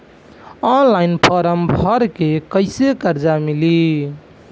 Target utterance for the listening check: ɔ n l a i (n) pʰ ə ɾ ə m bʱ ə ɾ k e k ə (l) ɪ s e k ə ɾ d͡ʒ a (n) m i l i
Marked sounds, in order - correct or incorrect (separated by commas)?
correct, incorrect, incorrect